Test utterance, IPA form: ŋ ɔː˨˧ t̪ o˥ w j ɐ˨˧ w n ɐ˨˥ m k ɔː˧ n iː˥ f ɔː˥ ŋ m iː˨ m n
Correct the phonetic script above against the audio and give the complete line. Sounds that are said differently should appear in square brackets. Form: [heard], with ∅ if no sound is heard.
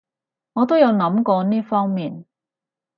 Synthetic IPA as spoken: ŋ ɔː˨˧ t̪ o˥ w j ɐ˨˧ w n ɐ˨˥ m k ɔː˧ n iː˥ f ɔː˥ ŋ m iː˨ [∅] n